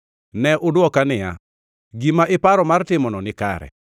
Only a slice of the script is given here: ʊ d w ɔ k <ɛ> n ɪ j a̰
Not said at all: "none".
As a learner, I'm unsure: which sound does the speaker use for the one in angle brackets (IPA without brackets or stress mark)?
a